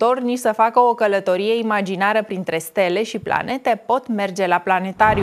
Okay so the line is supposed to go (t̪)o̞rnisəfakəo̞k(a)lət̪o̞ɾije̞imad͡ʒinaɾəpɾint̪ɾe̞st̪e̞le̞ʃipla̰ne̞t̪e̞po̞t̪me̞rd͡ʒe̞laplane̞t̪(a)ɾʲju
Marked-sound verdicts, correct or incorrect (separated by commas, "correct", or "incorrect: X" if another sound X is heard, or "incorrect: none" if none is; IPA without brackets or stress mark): correct, incorrect: ə, correct